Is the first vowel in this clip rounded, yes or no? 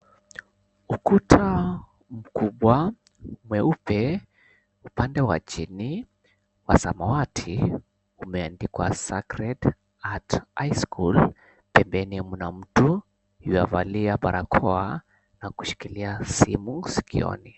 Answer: yes